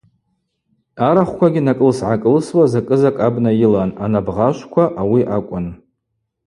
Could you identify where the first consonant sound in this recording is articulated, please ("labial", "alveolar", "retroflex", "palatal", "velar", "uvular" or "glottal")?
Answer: alveolar